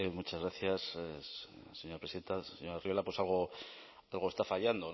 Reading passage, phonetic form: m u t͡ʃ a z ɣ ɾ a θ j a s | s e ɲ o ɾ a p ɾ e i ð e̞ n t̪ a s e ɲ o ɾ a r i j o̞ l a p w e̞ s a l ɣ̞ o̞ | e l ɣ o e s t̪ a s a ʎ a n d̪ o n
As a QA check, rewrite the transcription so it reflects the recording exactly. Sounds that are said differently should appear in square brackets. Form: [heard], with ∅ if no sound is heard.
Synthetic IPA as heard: m u t͡ʃ a z ɣ ɾ a θ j a s | s e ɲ o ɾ a p ɾ e i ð e̞ n t̪ a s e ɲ o ɾ a r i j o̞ l a p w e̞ s a l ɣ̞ o̞ | [a] l ɣ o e s t̪ a [f] a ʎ a n d̪ o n